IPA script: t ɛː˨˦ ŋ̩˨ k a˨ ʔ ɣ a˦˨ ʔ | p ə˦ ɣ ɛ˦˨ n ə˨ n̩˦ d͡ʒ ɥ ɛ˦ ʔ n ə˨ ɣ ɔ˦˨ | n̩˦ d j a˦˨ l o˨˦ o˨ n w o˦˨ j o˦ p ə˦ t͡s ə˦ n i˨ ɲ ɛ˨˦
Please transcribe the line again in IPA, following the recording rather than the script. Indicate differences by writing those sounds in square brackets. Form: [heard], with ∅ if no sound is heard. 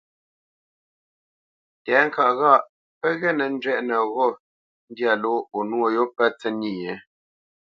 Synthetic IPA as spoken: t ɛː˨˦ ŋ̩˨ k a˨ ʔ ɣ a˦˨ ʔ | p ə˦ ɣ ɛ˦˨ n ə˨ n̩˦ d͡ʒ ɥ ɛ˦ ʔ n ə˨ ɣ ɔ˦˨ | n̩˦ d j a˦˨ l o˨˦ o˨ n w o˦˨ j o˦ p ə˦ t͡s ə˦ n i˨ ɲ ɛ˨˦